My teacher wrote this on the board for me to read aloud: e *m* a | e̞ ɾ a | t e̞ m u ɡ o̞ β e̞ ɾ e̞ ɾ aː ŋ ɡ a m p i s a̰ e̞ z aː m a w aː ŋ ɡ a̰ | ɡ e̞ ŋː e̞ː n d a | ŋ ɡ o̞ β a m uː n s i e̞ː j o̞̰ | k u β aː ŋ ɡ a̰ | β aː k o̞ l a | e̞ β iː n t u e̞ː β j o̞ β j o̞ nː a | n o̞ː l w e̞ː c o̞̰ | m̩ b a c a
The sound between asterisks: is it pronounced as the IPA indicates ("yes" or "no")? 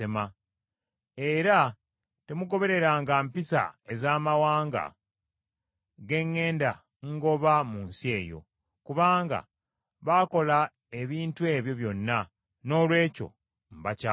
yes